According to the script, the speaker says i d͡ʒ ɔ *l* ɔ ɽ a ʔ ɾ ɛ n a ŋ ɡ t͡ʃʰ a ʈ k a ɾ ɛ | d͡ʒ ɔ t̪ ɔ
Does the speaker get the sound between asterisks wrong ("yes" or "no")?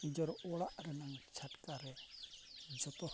yes